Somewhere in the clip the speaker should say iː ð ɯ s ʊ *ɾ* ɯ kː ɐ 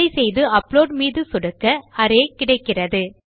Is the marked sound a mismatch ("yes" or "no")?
yes